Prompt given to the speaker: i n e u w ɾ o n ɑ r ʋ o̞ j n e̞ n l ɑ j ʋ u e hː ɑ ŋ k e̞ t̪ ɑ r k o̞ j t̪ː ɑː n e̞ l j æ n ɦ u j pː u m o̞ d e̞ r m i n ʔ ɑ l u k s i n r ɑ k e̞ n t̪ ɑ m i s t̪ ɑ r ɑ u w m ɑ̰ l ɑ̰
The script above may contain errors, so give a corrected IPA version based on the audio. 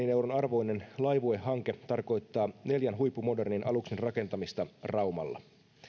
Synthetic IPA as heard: i n e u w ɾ o n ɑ r ʋ o̞ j n e̞ n l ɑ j ʋ u e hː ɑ ŋ k e̞ t̪ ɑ r k o̞ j t̪ː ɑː n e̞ l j æ n ɦ u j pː u m o̞ d e̞ r n i n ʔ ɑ l u k s i n r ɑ k e̞ n t̪ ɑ m i s t̪ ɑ r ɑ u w m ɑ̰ lː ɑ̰